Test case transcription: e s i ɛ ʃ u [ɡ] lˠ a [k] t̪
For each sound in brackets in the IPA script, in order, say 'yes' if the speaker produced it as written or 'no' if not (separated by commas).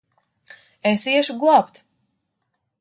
yes, no